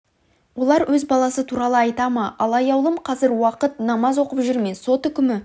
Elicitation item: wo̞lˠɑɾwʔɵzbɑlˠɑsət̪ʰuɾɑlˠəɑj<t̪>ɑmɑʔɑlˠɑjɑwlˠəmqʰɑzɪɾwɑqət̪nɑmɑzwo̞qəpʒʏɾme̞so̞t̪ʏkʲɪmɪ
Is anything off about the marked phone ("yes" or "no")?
no